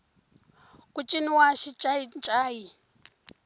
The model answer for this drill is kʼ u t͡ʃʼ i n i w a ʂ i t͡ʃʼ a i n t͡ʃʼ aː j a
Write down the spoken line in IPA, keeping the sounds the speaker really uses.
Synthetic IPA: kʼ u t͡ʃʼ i n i w a ʃ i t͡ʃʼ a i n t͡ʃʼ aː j i